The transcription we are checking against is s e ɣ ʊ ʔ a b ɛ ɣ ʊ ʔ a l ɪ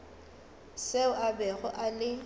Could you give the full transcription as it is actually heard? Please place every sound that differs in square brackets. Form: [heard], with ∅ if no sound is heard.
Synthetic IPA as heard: s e [∅] ʊ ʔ a b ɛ ɣ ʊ ʔ a l ɪ